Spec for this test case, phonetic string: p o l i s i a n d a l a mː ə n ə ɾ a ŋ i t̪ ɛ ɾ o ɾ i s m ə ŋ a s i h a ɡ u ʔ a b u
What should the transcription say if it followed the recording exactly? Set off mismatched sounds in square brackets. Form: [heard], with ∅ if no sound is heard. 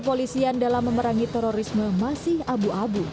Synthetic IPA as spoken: p o l i s i a n d a l a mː ə [m] ə ɾ a ŋ i t̪ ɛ ɾ o ɾ i s m ə [m] a s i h a [b] u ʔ a b u